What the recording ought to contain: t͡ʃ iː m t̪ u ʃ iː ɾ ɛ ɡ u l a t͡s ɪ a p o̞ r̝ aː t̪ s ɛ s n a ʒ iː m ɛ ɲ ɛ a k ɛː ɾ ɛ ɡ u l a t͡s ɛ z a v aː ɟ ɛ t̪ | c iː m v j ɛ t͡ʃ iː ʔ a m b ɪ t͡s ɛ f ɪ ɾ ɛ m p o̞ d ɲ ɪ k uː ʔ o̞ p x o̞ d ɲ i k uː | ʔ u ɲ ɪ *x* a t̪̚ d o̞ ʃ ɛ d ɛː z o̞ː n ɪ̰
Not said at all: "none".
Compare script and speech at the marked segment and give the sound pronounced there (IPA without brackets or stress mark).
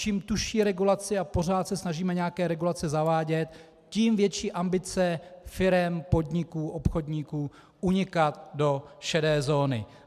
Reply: k